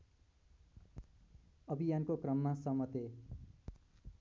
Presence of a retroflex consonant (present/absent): absent